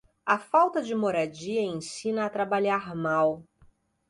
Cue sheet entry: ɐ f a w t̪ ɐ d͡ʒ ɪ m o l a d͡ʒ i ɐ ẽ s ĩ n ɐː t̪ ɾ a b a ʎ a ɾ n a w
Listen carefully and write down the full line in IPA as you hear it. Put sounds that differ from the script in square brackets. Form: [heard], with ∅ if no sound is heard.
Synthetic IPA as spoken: ɐ f a w t̪ ɐ d͡ʒ ɪ m o [ɾ] a d͡ʒ i ɐ ẽ s ĩ n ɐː t̪ ɾ a b a ʎ a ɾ [m] a w